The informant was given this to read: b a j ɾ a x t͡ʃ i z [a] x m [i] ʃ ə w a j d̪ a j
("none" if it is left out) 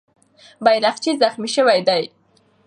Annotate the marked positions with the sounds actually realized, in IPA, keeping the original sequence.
a, i

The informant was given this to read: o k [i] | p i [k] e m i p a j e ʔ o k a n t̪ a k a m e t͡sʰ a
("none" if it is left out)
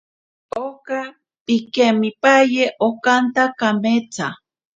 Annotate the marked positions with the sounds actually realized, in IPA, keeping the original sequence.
a, k

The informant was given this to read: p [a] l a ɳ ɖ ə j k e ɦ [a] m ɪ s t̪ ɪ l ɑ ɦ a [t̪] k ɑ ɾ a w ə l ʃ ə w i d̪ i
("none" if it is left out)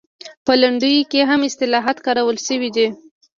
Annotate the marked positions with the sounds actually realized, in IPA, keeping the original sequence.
ə, a, t̪

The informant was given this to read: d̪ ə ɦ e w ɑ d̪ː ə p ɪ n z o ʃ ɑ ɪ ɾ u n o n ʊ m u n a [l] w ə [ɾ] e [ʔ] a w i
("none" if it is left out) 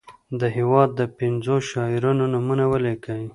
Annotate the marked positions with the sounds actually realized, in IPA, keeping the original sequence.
none, l, k

